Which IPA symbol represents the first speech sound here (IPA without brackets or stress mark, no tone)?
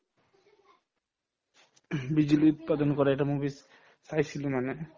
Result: b